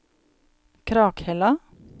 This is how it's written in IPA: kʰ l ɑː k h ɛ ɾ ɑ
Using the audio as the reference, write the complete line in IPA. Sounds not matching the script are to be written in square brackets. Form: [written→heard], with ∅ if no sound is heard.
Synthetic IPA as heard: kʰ [l→ɾ] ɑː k h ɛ [ɾ→l] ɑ